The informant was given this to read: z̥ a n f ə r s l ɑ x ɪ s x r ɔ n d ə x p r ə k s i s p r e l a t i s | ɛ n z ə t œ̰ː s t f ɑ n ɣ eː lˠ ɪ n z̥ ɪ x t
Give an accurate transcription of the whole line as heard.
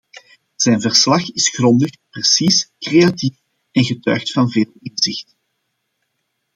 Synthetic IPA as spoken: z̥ ɛ n v ə r s l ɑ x ɪ s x r ɔ n d ə x p r ə s i s k r e a t i f | ɛ n ɣ ə t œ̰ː x t f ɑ n v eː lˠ ɪ n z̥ ɪ x t

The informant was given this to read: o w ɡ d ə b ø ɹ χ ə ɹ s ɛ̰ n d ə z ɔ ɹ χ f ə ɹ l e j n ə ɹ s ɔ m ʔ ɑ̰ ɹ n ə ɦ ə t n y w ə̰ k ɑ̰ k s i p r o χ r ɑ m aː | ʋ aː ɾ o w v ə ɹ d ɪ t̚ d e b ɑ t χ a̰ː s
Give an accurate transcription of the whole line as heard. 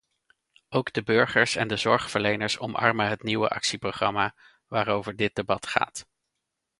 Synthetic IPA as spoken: o w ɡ d ə b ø ɹ χ ə ɹ s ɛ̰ n d ə z ɔ ɹ χ f ə ɹ l e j n ə ɹ s ɔ m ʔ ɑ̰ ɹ m ə ɦ ə t n i w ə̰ ʔ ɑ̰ k s i p r o χ r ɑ m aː | ʋ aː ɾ o w v ə ɹ d ɪ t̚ d e b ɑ t χ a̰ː t

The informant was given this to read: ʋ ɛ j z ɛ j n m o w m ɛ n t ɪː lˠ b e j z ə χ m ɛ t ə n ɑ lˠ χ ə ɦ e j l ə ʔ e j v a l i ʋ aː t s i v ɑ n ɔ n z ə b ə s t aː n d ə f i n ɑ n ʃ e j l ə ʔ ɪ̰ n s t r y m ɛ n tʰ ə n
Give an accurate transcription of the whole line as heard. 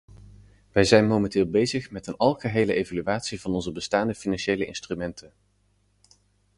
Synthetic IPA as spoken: ʋ ɛ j z ɛ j n m o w m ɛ n t ɪː lˠ b e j z ə χ m ɛ t ə n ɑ lˠ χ ə ɦ e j l ə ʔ e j v a l y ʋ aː t s i v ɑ n ɔ n z ə b ə s t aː n d ə f i n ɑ n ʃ e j l ə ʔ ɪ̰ n s t r y m ɛ n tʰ ə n

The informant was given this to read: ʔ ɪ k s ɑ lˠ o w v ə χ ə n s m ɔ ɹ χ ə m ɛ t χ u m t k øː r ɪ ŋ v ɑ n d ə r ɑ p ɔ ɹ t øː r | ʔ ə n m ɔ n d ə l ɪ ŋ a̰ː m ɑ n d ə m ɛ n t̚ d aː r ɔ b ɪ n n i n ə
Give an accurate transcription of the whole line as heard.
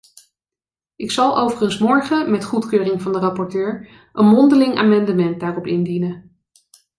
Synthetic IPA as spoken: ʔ ɪ k s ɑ lˠ o w v ə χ ə n s m ɔ ɹ χ ə m ɛ t χ u t k øː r ɪ ŋ v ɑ n d ə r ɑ p ɔ ɹ t øː ɹ | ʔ ə n m ɔ n d ə l ɪ ŋ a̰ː m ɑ n d ə m ɛ n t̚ d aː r ɔ p ɪ n d i n ə

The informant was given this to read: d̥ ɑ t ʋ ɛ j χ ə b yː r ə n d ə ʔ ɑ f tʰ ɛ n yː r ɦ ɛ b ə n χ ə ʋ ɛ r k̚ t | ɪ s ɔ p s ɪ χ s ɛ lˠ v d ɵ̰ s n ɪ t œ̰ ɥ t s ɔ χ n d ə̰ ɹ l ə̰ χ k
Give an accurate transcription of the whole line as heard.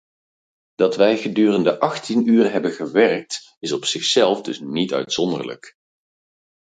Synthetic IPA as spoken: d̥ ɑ t ʋ ɛ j χ ə d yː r ə n d ə ʔ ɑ χ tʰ i n yː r ɦ ɛ b ə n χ ə ʋ ɛ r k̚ t | ɪ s ɔ p s ɪ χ s ɛ lˠ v d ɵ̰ s n i t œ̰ ɥ t s ɔ n d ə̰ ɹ l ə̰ k

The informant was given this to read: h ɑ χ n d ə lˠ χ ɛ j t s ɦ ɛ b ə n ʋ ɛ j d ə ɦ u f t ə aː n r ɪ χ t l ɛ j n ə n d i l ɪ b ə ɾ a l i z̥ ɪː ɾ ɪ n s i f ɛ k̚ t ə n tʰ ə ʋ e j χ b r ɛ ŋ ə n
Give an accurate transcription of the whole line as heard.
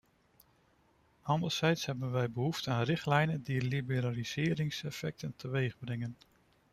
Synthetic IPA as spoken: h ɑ n d ə lˠ s ɛ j t s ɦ ɛ b ə n ʋ ɛ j b ə ɦ u f t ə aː n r ɪ χ t l ɛ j n ə n d i l i b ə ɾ a l i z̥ ɪː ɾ ɪ ŋ s ɛ f ɛ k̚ t ə n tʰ ə ʋ e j χ b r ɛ ŋ ə n

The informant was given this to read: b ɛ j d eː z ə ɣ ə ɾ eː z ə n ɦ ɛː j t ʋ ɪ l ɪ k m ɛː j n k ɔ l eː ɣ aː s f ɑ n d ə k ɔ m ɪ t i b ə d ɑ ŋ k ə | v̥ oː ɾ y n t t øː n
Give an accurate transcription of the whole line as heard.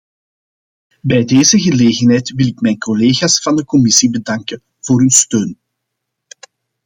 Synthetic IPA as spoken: b ɛ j d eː z ə ɣ ə l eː ɣ ə n ɦ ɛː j t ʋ ɪ l ɪ k m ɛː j n k ɔ l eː ɣ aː s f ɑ n d ə k ɔ m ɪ s i b ə d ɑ ŋ k ə | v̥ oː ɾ y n s t øː n

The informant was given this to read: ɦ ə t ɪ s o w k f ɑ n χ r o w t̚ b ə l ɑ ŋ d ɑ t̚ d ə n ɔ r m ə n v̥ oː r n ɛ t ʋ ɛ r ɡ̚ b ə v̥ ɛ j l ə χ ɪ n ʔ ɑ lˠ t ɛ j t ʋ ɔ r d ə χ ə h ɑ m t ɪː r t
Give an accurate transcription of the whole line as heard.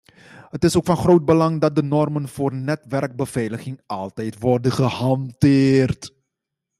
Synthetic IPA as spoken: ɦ ə t ɪ s o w k f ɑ n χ r o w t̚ b ə l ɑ ŋ d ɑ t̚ d ə n ɔ r m ə n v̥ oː r n ɛ t ʋ ɛ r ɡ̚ b ə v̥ ɛ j l ə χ ɪ ŋ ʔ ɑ lˠ t ɛ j t ʋ ɔ r d ə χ ə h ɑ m t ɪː r t

